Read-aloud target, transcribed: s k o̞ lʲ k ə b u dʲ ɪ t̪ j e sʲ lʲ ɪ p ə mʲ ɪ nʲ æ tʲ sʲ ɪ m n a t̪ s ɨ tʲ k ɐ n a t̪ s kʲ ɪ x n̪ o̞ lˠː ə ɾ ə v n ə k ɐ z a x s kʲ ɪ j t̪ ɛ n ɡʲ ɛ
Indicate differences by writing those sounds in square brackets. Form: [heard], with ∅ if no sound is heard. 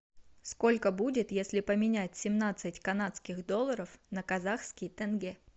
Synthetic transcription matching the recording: s k o̞ lʲ k ə b u dʲ ɪ t̪ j e sʲ lʲ ɪ p ə mʲ ɪ nʲ æ tʲ sʲ ɪ m n a t̪ s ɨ tʲ k ɐ n a t̪ s kʲ ɪ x [d̪] o̞ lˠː ə ɾ ə [f] n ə k ɐ z a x s kʲ ɪ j t̪ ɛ n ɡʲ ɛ